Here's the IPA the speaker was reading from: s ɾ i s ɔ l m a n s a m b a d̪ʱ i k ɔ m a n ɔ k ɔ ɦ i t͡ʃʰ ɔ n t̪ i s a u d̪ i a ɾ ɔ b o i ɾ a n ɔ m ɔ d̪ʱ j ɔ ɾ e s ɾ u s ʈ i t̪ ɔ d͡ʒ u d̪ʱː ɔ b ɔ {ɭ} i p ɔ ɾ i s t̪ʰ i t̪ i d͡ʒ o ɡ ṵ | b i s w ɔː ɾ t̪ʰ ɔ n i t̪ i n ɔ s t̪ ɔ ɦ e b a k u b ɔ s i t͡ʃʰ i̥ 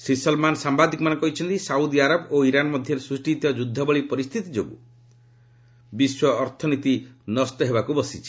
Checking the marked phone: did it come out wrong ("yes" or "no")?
no